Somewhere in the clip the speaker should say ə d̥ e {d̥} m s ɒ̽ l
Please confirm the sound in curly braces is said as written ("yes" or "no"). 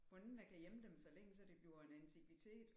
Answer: no